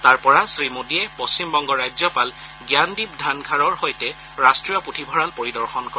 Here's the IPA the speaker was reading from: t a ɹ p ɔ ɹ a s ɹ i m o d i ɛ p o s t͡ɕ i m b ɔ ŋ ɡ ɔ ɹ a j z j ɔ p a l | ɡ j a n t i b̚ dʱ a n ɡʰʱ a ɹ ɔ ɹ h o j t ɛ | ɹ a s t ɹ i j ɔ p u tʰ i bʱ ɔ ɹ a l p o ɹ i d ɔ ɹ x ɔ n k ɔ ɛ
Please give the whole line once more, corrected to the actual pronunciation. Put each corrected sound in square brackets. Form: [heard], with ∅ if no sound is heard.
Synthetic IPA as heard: t a ɹ p ɔ ɹ a s ɹ i m o d i ɛ p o s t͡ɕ i m b ɔ ŋ ɡ ɔ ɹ a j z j ɔ p a l | ɡ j a n [d] i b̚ dʱ a n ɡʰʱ a ɹ ɔ ɹ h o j t ɛ | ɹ a s t ɹ i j ɔ p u tʰ i bʱ ɔ ɹ a l p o ɹ i d ɔ ɹ x ɔ n k ɔ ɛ